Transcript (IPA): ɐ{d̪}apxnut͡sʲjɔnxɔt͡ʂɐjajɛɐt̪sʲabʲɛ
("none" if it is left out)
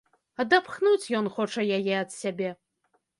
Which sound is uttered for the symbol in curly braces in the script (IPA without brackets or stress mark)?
d̪